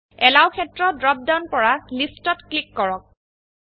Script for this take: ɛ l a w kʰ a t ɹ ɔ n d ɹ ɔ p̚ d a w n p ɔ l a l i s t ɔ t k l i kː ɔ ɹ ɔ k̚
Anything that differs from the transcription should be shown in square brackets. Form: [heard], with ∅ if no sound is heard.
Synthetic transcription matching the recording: ɛ l a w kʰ [ɛ] t ɹ ɔ [∅] d ɹ ɔ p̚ d a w n p ɔ [ɹ] a l i s t ɔ t k l i kː ɔ ɹ ɔ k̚